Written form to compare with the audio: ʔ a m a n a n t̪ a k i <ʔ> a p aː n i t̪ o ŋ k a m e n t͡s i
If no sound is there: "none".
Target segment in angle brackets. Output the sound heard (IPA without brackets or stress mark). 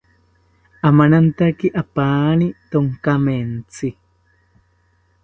ʔ